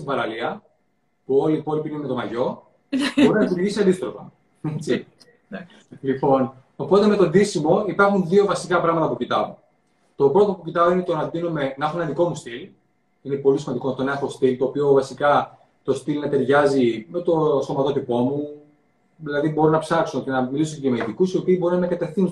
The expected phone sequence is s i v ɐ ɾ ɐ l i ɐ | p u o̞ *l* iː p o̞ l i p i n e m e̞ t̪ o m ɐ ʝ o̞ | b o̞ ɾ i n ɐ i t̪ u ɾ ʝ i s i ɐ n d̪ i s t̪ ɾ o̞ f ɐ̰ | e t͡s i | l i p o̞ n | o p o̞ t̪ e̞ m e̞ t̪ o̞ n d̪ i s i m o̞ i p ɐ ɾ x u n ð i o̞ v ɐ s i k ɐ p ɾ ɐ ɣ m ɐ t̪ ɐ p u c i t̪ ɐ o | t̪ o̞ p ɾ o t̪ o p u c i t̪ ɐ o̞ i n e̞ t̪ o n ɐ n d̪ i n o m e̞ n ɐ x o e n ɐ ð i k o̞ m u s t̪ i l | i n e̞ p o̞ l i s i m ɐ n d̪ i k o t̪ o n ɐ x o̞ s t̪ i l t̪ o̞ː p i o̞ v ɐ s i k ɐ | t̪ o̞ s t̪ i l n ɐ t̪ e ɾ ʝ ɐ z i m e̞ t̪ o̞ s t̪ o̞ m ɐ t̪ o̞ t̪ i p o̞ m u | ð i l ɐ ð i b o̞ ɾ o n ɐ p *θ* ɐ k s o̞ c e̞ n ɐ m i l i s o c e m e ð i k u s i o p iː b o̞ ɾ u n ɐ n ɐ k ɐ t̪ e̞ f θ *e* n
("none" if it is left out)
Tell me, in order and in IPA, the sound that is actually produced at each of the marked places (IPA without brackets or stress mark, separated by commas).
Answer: l, s, i